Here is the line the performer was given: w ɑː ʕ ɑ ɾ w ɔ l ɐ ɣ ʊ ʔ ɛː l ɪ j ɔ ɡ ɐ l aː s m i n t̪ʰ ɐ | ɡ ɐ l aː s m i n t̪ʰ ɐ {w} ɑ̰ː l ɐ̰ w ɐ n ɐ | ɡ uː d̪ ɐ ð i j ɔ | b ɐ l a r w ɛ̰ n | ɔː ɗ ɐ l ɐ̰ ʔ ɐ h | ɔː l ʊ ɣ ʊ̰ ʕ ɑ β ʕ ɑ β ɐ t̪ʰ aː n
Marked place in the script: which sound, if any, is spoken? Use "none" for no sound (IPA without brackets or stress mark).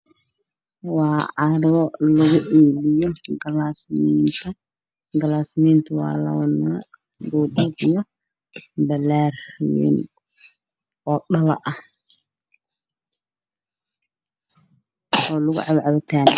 w